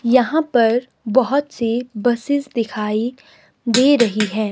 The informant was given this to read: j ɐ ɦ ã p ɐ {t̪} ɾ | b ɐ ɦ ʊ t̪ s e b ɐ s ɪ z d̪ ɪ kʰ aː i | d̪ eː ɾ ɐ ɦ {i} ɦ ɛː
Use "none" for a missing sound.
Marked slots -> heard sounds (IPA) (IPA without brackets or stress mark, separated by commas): none, i